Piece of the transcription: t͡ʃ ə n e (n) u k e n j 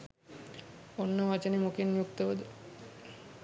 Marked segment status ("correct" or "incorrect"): incorrect